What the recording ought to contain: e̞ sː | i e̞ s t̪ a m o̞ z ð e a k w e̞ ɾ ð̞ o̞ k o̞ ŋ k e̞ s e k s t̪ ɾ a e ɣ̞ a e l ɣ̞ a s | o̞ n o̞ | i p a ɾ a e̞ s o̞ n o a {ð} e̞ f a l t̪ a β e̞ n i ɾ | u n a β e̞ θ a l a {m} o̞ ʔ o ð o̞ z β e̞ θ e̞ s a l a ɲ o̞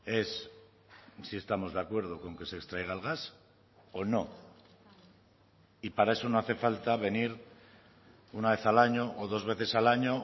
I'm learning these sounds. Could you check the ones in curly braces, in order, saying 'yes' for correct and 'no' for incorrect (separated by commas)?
no, no